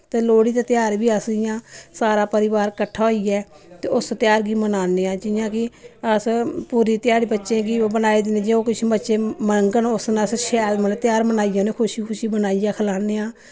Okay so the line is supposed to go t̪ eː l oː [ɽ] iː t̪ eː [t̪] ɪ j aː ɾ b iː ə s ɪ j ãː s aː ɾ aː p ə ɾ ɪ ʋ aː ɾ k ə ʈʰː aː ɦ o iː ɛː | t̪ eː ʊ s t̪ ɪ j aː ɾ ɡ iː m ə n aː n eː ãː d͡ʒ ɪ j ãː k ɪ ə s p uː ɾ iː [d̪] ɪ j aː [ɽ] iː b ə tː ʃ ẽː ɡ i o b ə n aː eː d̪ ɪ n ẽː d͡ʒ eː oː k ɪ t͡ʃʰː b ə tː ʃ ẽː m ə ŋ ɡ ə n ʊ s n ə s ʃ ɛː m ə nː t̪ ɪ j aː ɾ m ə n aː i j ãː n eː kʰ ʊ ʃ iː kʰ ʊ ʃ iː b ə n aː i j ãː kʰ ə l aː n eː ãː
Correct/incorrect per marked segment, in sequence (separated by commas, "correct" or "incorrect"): correct, correct, incorrect, incorrect